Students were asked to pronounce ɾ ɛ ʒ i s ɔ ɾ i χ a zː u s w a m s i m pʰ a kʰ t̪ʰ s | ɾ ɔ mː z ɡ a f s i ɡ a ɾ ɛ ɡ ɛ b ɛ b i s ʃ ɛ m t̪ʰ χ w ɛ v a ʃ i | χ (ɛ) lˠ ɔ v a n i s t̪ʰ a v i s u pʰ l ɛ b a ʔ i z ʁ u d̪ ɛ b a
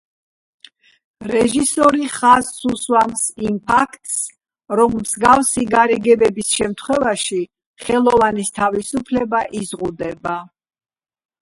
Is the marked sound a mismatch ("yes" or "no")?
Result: no